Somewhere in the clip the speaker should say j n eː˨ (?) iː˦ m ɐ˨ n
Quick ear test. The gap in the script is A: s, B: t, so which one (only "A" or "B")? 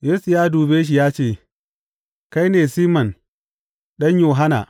A